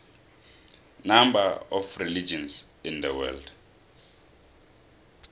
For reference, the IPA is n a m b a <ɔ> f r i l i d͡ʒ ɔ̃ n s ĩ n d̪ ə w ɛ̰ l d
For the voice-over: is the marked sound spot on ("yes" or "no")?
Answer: yes